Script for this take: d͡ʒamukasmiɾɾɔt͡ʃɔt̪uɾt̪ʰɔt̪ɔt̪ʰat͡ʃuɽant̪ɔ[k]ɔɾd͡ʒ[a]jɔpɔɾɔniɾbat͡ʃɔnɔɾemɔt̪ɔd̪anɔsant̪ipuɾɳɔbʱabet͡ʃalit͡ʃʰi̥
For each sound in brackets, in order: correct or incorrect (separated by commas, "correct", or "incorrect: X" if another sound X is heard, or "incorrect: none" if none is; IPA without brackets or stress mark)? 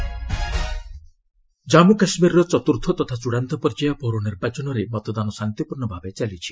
incorrect: p, correct